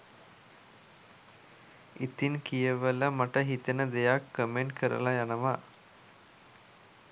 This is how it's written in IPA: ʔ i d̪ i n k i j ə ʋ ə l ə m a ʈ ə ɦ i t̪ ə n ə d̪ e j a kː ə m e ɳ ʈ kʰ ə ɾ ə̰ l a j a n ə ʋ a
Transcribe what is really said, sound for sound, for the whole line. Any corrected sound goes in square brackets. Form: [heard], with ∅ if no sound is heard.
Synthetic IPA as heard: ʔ i [t̪] i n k i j ə ʋ ə l ə m a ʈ ə ɦ i t̪ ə n ə d̪ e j a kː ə m e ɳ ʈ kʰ ə ɾ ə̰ l a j a n ə ʋ a